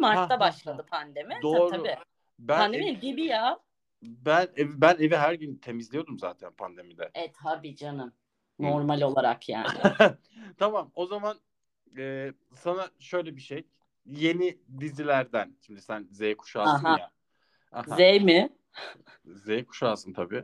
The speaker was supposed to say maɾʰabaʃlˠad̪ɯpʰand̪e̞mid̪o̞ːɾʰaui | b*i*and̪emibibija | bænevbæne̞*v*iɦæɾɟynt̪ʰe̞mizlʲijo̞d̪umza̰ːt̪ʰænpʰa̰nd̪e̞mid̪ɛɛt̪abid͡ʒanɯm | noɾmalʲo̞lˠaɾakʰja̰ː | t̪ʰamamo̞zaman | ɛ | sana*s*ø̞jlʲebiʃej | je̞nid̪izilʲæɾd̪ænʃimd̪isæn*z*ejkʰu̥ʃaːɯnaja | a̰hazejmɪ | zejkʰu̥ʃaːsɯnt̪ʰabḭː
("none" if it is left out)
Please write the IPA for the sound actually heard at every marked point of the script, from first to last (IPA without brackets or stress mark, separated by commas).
æ, v, ʃ, z